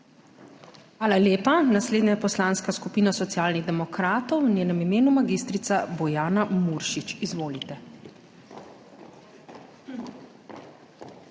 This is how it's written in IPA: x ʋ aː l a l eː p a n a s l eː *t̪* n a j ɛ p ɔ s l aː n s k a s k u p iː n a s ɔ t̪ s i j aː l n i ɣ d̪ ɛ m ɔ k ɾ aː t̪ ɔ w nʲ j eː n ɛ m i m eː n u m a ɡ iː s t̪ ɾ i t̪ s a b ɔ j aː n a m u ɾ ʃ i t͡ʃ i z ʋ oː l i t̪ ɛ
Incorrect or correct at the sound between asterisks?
incorrect: d̪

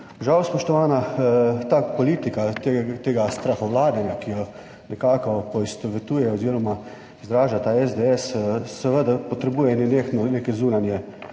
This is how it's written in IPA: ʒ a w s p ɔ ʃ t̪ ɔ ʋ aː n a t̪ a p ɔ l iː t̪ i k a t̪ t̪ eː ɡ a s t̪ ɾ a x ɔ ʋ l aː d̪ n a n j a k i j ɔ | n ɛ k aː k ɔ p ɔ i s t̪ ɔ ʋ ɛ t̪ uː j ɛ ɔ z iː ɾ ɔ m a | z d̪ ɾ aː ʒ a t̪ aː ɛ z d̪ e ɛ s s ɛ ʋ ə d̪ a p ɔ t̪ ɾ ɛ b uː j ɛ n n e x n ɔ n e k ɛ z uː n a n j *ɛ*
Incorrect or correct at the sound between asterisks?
correct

